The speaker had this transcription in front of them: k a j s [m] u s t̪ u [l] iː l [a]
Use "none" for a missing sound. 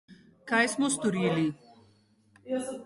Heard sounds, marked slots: m, ɾ, i

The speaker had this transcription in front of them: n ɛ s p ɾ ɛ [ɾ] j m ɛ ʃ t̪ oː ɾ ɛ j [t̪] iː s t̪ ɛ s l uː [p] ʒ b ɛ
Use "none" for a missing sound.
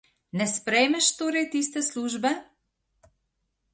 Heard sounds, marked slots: none, t̪, none

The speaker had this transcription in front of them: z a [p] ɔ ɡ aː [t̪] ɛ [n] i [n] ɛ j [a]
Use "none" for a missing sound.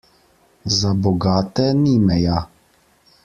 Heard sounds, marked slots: b, t̪, n, m, a

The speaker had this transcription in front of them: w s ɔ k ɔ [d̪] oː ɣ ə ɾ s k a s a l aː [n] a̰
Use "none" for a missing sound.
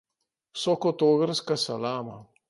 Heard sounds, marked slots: t̪, m

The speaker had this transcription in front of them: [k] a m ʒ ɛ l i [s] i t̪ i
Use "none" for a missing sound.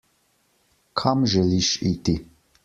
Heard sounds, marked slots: kʰ, ʃ

